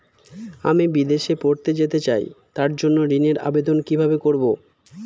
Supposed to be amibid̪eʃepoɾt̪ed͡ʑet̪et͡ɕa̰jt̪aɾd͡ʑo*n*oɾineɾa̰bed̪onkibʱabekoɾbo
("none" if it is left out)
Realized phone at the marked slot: nː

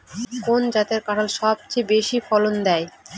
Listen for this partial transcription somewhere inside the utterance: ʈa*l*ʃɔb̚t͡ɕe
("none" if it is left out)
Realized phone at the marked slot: l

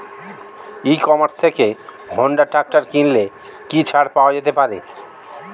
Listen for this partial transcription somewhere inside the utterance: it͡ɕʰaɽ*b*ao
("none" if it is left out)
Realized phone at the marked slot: p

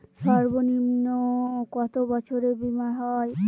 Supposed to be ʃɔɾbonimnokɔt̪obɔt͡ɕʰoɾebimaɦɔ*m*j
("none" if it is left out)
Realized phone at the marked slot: none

